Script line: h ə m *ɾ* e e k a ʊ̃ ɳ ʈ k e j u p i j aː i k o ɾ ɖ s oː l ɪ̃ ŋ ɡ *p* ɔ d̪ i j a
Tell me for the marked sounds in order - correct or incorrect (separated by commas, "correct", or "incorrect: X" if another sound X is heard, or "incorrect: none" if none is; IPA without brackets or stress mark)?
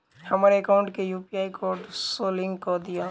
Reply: correct, incorrect: k